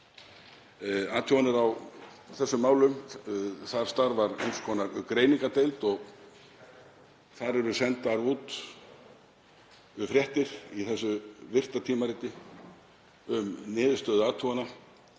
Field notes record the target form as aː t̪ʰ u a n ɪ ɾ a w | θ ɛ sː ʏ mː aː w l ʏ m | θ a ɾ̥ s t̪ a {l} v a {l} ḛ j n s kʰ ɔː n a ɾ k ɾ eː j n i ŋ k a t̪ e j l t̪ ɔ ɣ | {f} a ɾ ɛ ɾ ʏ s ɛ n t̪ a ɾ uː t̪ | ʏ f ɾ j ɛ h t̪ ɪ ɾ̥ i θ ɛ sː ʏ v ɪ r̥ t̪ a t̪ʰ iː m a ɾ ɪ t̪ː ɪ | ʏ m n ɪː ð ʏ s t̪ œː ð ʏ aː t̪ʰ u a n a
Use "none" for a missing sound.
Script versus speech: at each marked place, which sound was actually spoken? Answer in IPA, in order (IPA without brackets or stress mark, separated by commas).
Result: ɾ, ɾ, θ